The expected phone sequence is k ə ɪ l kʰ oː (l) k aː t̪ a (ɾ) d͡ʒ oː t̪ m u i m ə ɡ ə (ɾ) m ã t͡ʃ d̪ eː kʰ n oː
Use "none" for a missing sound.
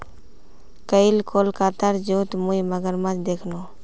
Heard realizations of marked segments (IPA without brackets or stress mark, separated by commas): l, ɾ, ɾ